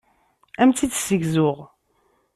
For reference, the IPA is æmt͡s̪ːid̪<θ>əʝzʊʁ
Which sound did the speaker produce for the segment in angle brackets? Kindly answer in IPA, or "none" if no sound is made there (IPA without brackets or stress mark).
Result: s